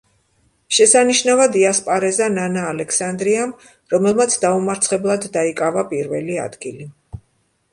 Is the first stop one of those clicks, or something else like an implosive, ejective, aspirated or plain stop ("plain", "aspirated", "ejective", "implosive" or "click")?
plain